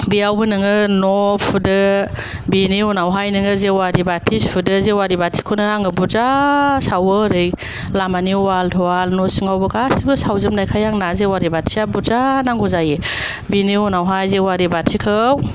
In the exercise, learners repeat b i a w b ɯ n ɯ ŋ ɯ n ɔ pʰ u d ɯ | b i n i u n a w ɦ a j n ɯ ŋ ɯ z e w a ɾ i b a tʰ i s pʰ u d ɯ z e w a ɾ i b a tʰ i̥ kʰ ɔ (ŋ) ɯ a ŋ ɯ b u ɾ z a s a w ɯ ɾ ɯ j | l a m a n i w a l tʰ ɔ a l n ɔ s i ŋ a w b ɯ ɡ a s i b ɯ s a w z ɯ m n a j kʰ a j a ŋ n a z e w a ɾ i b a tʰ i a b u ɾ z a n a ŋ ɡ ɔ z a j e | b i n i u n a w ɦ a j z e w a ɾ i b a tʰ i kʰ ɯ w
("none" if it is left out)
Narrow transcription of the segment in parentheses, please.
n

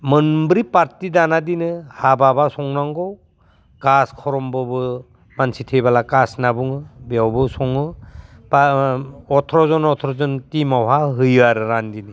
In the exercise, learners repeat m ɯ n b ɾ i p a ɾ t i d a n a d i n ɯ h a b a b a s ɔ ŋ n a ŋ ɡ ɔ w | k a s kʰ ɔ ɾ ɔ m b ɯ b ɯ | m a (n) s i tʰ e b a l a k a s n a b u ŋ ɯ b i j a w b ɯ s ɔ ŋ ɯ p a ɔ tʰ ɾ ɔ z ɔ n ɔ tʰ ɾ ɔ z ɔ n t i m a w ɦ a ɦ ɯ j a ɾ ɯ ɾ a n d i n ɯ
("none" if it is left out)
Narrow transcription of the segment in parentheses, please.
n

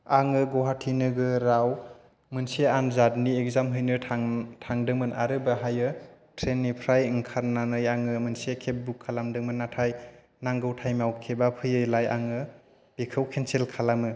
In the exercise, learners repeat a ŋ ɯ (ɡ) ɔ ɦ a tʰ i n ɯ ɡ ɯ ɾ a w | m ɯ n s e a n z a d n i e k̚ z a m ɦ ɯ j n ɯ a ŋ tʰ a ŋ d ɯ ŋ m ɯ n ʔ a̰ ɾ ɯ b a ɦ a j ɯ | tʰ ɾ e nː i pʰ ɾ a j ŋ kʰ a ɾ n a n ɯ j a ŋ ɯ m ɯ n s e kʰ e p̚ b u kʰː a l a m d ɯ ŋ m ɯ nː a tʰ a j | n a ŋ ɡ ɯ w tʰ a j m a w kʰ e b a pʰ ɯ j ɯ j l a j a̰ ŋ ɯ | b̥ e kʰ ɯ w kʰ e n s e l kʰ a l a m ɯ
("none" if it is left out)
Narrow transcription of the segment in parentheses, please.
ɡ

